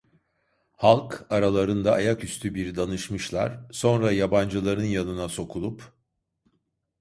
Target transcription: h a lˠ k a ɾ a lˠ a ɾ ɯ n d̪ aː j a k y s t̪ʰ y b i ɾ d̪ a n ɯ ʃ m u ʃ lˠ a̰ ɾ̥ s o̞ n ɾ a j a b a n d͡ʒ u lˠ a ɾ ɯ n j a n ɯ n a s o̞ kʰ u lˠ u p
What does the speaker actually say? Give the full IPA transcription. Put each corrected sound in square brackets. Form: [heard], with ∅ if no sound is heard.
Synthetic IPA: h a lˠ k a ɾ a lˠ a ɾ ɯ n d̪ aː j a k y s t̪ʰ y b i ɾ d̪ a n ɯ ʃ m [ɯ] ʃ lˠ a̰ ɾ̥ s o̞ n ɾ a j a b a n d͡ʒ [ɯ] lˠ a ɾ ɯ n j a n ɯ n a s o̞ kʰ u lˠ u p